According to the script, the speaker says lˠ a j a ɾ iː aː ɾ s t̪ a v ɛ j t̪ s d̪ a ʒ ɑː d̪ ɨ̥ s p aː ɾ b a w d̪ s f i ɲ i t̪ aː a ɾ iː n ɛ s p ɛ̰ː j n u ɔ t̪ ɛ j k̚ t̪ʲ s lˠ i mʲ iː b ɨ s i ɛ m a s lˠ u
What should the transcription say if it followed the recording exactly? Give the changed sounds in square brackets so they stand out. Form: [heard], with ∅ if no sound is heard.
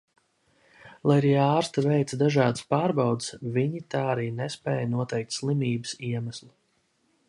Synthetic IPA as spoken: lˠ a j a ɾ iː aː ɾ s t̪ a v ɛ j t̪ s d̪ a ʒ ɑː d̪ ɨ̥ s p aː ɾ b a w d̪ s [v] i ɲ i t̪ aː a ɾ iː n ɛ s p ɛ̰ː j n u ɔ t̪ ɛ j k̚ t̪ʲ s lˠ i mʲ iː b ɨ s i ɛ m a s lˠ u